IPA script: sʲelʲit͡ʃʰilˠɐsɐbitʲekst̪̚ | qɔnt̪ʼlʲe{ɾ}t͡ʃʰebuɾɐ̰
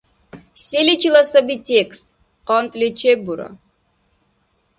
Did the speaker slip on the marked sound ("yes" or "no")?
yes